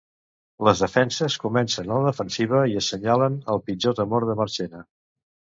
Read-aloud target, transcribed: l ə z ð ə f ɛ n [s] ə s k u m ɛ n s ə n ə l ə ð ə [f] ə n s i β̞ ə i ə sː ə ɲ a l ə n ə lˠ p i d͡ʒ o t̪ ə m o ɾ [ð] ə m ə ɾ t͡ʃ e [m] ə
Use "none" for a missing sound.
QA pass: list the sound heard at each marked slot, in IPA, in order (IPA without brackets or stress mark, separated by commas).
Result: s, f, ð, n